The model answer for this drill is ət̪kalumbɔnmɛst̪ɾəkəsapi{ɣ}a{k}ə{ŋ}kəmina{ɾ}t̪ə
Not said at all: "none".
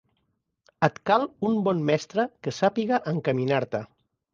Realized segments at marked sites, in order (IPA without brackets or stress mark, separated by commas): ɣ, ʔ, ŋ, ɾ